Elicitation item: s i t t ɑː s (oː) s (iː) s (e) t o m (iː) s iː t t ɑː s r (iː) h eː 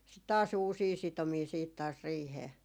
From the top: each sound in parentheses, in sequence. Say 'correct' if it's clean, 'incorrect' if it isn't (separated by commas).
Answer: incorrect, correct, incorrect, correct, correct